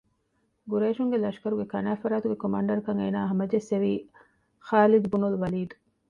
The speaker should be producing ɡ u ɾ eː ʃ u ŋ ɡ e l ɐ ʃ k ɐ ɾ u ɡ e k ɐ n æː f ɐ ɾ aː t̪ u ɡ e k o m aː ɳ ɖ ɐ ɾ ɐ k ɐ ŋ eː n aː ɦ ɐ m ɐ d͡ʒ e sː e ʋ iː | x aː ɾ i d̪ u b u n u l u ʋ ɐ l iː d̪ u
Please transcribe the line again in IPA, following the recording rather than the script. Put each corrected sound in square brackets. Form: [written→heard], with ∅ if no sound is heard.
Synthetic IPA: ɡ u ɾ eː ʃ u ŋ ɡ e l ɐ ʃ k ɐ ɾ u ɡ e k ɐ n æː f ɐ ɾ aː t̪ u ɡ e k o m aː ɳ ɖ ɐ ɾ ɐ k ɐ ŋ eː n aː ɦ ɐ m ɐ d͡ʒ e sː e ʋ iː | x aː [ɾ→l] i d̪ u b u n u l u ʋ ɐ l iː d̪ u